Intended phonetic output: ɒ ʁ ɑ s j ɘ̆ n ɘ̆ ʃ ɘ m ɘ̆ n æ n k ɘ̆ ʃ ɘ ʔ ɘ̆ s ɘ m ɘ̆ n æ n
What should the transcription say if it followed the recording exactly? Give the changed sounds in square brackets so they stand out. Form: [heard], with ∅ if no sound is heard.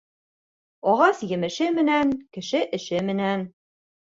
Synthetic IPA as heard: ɒ ʁ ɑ s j ɘ̆ [m] ɘ̆ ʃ ɘ m ɘ̆ n æ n k ɘ̆ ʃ ɘ ʔ ɘ̆ [ʃ] ɘ m ɘ̆ n æ n